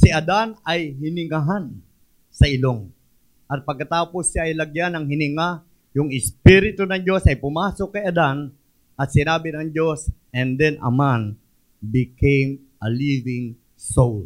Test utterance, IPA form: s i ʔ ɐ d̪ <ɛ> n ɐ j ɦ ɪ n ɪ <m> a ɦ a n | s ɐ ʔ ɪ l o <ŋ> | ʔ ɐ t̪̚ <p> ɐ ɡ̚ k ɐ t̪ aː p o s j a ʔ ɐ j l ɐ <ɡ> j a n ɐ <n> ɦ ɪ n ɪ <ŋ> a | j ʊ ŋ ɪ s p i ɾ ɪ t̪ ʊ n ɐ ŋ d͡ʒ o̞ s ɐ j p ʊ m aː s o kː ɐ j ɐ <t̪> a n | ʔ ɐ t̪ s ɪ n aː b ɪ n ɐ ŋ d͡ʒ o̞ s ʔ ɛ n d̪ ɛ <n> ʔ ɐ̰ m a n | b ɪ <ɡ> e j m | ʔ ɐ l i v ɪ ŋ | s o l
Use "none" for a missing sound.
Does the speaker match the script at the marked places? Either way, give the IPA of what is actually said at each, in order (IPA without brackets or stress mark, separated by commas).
a, ŋ, ŋ, p, ɡ, ŋ, ŋ, d̪, n, k